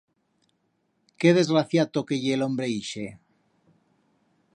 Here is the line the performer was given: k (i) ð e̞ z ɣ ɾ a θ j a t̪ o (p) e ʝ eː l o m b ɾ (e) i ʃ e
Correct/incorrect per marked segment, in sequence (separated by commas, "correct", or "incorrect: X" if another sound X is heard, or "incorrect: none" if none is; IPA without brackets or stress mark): incorrect: e, incorrect: k, correct